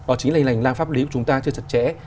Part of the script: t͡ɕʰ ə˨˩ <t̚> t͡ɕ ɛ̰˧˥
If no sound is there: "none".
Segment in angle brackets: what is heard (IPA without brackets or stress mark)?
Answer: t̚